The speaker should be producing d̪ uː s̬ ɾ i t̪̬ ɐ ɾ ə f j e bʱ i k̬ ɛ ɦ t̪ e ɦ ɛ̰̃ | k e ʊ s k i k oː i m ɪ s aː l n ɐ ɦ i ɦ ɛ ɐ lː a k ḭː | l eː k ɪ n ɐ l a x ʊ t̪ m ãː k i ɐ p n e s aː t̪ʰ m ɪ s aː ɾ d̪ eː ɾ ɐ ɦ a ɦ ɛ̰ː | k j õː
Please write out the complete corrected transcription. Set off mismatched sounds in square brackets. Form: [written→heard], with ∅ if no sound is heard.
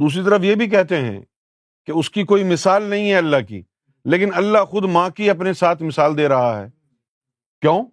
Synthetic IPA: d̪ uː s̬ ɾ i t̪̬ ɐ ɾ ə f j e bʱ i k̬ ɛ ɦ t̪ e ɦ ɛ̰̃ | k e ʊ s k i k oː i m ɪ s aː l n ɐ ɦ [i→ĩ] ɦ ɛ ɐ lː a k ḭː | l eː k ɪ n ɐ [l→lː] a x ʊ [t̪→d̪] m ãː k i ɐ p n e s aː t̪ʰ m ɪ s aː [ɾ→l] d̪ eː ɾ ɐ ɦ a ɦ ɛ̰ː | k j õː